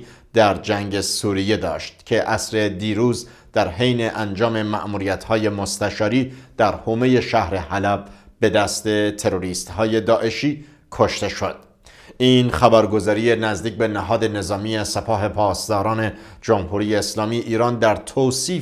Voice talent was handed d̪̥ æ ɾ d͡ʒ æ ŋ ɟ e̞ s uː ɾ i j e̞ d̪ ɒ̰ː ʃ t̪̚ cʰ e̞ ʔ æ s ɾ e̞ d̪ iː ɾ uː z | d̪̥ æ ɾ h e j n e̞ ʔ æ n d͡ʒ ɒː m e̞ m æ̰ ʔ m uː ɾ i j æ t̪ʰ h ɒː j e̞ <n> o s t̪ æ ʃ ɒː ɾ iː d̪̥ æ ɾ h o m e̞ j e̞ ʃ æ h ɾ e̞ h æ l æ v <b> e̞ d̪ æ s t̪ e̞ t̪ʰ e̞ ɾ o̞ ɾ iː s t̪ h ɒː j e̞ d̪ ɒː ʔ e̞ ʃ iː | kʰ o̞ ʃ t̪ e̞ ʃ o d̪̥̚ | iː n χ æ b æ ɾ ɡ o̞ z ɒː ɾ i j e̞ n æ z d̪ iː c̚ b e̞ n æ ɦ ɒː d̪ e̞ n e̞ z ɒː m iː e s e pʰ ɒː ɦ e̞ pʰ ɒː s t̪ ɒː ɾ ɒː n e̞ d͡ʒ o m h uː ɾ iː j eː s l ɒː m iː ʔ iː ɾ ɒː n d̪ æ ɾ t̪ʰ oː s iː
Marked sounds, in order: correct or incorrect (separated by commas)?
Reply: incorrect, correct